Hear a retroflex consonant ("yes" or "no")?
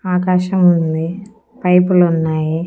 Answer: no